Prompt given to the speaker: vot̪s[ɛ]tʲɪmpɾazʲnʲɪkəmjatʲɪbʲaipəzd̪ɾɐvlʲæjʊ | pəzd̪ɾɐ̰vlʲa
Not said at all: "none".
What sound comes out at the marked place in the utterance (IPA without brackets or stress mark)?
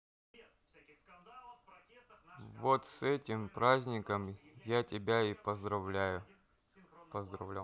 ɛ